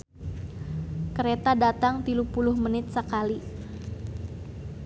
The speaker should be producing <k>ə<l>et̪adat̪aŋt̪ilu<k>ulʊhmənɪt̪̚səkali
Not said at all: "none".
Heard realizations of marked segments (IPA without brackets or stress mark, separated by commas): k, ɾ, p